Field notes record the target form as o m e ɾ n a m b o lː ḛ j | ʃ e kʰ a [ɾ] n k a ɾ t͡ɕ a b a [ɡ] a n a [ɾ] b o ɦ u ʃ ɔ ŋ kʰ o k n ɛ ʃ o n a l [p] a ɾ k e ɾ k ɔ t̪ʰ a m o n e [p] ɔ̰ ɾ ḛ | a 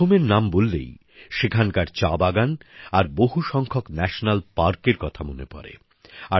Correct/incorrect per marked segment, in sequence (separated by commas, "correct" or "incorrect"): incorrect, correct, correct, correct, correct